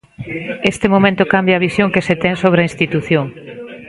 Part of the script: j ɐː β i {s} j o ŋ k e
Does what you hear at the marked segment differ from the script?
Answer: no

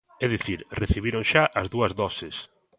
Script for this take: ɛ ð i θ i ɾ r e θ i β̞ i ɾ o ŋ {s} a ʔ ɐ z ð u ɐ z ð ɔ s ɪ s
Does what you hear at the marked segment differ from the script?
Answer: yes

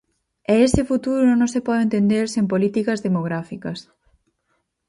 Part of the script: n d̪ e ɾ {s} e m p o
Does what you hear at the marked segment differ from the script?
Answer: no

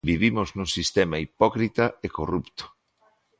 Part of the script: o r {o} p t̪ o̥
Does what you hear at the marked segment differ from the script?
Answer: yes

